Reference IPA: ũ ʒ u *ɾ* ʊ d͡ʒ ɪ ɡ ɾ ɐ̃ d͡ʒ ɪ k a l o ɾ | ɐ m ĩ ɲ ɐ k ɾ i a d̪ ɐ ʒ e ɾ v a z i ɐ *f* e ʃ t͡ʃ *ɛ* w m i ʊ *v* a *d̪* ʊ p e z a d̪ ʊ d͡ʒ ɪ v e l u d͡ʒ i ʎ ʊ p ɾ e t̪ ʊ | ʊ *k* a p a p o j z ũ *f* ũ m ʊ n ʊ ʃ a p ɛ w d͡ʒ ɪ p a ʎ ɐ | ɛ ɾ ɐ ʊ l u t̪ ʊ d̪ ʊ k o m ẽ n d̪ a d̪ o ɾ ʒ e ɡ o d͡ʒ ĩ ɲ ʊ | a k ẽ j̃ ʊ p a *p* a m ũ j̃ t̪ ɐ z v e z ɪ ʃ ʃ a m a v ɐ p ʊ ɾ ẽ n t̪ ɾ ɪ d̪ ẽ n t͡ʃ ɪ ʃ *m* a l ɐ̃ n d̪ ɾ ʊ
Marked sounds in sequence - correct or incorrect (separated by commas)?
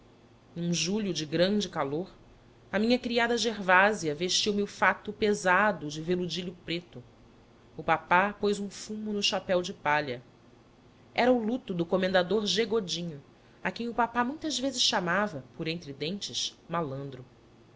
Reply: incorrect, incorrect, incorrect, incorrect, incorrect, incorrect, correct, correct, correct